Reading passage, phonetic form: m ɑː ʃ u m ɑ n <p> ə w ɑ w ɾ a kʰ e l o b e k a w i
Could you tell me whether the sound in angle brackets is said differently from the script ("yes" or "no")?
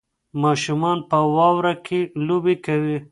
no